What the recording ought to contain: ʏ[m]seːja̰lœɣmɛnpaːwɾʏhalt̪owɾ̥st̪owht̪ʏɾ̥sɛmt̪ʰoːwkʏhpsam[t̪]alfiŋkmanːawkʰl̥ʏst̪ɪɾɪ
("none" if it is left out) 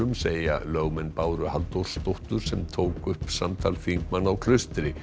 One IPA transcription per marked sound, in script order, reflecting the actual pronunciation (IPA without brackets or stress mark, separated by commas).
m, t̪ʰ